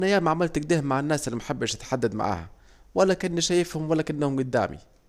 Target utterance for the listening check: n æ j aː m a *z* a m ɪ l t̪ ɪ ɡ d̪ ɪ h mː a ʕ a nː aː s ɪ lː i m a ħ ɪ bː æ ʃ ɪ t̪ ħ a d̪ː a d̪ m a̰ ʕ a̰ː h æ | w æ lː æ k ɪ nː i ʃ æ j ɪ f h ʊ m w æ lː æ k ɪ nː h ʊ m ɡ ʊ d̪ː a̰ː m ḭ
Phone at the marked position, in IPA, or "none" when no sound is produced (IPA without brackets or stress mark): ʕ